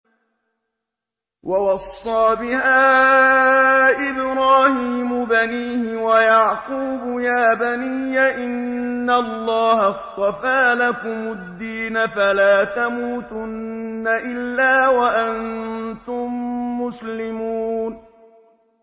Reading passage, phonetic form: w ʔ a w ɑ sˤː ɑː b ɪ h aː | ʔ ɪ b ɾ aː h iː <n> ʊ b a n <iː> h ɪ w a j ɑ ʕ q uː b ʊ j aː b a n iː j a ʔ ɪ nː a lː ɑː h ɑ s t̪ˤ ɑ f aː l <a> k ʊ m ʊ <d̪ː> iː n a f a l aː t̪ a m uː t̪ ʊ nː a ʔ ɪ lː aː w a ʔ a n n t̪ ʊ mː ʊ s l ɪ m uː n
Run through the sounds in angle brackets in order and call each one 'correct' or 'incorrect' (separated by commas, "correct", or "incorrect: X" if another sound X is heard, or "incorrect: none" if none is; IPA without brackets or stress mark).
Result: incorrect: m, correct, correct, correct